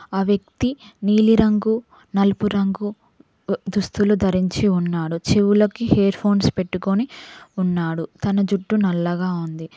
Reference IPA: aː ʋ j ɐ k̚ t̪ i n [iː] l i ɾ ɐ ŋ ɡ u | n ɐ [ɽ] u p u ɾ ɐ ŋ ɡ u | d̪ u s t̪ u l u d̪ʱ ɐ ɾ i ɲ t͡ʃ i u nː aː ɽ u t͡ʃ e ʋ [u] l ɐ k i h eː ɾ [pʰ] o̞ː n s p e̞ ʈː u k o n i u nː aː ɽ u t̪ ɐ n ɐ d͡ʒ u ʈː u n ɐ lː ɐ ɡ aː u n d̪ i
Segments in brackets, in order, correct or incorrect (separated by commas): correct, incorrect, correct, correct